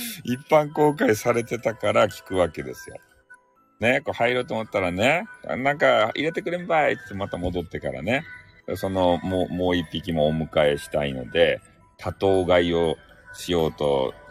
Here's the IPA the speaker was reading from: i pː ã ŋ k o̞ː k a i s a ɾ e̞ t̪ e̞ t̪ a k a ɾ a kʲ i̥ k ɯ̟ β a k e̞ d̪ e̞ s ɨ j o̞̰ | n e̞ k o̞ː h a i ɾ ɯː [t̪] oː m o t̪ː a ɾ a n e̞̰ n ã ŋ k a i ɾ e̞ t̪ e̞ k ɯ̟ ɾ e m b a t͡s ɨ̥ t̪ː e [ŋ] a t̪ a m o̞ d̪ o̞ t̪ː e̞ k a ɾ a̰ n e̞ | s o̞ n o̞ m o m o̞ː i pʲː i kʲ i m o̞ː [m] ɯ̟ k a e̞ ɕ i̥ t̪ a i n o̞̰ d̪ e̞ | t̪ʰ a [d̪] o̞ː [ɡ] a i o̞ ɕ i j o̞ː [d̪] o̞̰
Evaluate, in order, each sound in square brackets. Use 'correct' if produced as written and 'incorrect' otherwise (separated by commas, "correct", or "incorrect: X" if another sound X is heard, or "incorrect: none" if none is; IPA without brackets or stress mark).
correct, incorrect: m, correct, incorrect: t̪, correct, incorrect: t̪